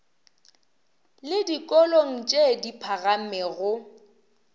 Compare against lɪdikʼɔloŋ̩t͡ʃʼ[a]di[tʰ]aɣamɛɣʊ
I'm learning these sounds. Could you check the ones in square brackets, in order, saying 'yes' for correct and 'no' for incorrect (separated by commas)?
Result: no, no